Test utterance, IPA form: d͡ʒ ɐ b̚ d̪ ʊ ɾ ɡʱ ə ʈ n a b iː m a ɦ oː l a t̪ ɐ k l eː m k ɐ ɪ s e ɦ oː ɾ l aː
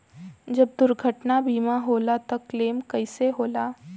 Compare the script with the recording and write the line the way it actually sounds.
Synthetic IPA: d͡ʒ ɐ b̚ d̪ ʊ ɾ ɡʱ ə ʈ n a b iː m a ɦ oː l a t̪ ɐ k l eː m k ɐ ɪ s e ɦ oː l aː